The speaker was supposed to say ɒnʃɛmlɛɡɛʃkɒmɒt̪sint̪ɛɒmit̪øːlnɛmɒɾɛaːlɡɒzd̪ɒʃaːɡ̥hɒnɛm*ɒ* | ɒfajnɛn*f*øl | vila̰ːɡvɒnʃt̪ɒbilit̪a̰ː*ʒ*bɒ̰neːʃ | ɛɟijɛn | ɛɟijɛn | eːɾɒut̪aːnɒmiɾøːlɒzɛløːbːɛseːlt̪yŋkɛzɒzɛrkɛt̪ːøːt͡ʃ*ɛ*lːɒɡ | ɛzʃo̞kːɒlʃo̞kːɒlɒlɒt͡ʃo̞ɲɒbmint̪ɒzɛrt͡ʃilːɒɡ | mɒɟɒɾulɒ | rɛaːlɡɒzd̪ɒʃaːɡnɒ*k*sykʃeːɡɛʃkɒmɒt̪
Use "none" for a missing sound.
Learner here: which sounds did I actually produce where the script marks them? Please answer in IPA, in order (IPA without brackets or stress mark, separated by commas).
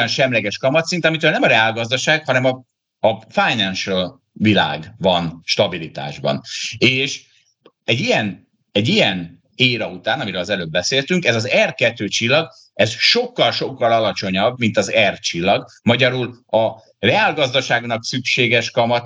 ɒ, ʃ, ʒ, i, k